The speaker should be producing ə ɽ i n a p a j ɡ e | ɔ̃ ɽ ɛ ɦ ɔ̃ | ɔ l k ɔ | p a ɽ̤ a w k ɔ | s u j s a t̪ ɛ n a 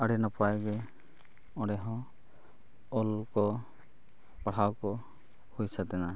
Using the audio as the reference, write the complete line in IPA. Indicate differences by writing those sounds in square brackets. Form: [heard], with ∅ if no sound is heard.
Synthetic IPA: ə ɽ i n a p a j ɡ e | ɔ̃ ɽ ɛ ɦ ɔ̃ | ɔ l k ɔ | p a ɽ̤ a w k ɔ | [h] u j s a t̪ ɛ n a